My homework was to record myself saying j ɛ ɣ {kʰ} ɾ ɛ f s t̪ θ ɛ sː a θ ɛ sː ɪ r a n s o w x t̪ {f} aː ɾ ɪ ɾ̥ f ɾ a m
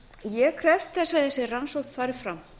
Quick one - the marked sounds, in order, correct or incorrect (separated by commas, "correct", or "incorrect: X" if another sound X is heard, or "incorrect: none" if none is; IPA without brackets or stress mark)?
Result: correct, correct